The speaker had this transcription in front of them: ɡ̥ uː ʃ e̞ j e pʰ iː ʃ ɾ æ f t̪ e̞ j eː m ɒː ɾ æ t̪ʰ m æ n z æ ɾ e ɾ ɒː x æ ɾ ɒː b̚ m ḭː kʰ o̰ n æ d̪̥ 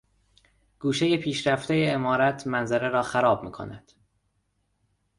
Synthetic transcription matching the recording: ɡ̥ uː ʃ e̞ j e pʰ iː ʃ ɾ æ f t̪ e̞ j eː m ɒː ɾ æ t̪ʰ m æ n z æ ɾ e ɾ ɒː x æ ɾ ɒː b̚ m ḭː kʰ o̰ n æ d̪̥